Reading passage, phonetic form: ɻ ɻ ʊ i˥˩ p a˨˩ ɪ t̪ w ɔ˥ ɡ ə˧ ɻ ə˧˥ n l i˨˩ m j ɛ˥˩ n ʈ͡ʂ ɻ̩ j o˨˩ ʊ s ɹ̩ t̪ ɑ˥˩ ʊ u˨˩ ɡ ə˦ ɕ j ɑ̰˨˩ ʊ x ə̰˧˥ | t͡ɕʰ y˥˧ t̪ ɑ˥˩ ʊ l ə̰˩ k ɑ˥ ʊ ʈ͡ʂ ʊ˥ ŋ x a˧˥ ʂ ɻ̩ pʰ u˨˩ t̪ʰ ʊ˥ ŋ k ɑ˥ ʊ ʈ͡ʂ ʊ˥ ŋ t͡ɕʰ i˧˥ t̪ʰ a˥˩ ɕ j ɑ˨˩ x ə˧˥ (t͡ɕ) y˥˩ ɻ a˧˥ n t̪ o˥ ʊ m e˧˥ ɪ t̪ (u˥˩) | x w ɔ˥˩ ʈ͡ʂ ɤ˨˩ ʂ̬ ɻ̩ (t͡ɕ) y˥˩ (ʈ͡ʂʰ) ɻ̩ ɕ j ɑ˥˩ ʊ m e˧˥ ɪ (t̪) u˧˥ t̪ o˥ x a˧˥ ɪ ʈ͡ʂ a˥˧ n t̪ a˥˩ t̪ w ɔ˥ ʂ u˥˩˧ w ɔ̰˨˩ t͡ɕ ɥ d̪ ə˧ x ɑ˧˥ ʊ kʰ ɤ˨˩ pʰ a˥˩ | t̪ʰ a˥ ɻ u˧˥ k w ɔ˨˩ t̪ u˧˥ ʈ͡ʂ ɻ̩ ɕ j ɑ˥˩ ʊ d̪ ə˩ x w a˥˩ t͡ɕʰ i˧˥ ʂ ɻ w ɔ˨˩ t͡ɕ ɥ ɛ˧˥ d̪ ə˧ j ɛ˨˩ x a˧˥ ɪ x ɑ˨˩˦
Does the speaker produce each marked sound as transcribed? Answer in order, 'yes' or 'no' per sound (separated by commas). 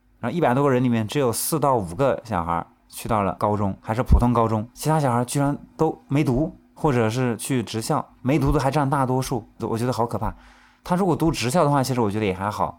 yes, no, no, no, yes